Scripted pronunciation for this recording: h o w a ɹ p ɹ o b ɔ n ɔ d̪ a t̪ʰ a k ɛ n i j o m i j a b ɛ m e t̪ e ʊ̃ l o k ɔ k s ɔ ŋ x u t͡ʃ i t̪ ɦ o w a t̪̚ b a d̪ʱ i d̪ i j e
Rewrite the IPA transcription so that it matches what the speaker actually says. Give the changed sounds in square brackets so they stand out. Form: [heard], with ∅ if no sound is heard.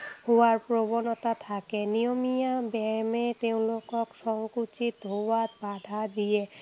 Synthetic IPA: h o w a ɹ p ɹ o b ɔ n ɔ [t̪] a t̪ʰ a k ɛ n i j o m i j a b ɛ m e t̪ e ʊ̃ l o k ɔ k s ɔ ŋ [k] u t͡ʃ i t̪ ɦ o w a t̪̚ b a d̪ʱ [a] d̪ i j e